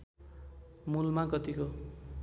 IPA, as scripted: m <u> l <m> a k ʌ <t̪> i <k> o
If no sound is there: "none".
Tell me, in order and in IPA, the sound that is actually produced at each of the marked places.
u, m, t̪, k

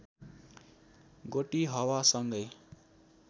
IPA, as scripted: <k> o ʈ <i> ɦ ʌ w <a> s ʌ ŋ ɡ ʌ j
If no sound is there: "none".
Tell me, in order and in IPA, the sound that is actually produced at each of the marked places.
ɡ, i, a

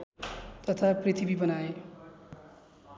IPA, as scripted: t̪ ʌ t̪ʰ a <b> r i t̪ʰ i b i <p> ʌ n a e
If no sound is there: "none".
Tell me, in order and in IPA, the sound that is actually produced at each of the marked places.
p, b

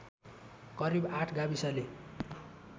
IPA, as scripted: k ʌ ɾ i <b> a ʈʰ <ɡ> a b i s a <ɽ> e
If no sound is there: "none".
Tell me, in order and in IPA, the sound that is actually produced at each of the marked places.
b, ɡ, l

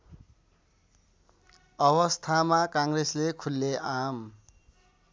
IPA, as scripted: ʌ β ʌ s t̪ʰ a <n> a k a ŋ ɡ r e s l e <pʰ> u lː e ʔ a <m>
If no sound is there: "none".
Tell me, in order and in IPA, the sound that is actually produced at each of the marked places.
m, kʰ, m

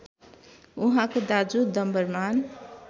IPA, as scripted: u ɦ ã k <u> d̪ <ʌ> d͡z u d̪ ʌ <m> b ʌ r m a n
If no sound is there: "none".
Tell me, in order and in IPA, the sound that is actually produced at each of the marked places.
o, a, m

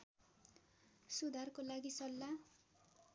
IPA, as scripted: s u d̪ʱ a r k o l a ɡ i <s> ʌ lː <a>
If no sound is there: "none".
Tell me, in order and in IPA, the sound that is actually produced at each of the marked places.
s, a

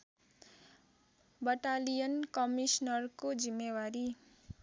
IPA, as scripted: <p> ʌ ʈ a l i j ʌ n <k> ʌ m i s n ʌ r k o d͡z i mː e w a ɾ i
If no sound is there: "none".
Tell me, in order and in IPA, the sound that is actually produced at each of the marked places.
b, k

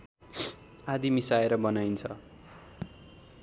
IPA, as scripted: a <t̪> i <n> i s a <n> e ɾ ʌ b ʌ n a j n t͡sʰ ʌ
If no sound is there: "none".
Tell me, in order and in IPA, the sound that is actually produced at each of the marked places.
d̪, m, none

